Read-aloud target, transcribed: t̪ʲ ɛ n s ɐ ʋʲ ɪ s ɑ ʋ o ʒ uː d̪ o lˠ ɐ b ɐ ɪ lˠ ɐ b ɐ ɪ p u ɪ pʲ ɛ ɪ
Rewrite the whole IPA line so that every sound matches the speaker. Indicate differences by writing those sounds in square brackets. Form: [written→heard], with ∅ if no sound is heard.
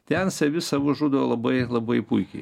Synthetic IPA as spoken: t̪ʲ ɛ n s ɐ ʋʲ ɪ s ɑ ʋ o ʒ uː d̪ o lˠ ɐ b ɐ ɪ lˠ ɐ b ɐ ɪ p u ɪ [pʲ→kʲ] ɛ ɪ